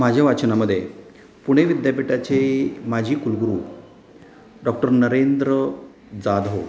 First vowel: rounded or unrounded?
unrounded